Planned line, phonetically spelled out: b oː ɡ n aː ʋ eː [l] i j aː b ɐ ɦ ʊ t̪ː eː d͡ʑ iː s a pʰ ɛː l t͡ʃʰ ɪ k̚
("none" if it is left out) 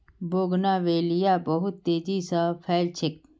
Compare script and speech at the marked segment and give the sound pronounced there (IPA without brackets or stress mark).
l